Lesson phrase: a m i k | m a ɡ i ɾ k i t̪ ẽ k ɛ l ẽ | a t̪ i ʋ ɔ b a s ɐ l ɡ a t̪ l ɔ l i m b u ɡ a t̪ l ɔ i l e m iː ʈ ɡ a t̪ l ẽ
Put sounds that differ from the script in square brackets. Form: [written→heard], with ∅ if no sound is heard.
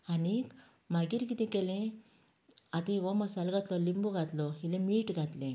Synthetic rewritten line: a [m→n] i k | m a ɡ i ɾ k i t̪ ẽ k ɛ l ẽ | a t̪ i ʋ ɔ [b→m] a s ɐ l ɡ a t̪ l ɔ l i m b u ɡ a t̪ l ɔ i l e m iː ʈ ɡ a t̪ l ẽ